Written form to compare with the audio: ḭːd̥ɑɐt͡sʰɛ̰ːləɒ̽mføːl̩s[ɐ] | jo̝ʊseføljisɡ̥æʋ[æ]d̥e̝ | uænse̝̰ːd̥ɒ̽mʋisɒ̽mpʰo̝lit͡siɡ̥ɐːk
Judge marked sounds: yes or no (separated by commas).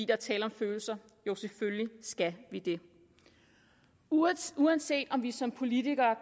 yes, no